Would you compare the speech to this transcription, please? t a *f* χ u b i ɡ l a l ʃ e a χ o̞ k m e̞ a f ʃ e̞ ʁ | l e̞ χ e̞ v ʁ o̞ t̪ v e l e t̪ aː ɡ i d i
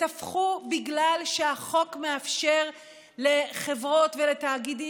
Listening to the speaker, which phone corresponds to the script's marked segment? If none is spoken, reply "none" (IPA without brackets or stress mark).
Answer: f